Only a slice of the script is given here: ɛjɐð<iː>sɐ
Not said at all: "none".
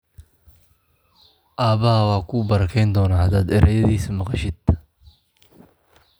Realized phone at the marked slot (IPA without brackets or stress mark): iː